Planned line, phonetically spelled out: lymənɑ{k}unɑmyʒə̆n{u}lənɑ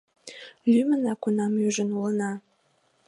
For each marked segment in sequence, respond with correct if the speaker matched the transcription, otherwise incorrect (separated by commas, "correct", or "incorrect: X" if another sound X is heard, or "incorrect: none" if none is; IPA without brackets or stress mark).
correct, correct